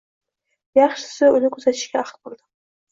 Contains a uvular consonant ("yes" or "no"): yes